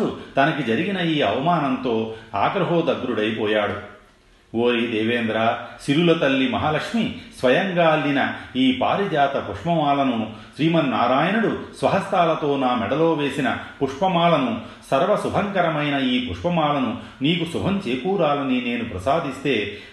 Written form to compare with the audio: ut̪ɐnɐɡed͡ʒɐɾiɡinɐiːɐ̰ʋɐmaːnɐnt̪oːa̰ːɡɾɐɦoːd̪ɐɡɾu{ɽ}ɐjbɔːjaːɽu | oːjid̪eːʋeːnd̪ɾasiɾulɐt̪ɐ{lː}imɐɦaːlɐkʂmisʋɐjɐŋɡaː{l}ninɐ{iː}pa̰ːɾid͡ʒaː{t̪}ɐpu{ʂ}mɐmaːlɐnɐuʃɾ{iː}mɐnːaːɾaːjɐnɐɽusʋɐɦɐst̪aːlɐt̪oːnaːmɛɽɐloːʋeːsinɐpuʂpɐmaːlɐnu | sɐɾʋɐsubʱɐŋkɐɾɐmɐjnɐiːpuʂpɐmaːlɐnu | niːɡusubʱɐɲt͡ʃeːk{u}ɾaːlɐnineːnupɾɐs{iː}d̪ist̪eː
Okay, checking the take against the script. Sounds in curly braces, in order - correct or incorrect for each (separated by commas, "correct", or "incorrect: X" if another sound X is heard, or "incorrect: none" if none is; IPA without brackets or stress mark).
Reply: correct, correct, correct, correct, correct, correct, correct, incorrect: uː, incorrect: aː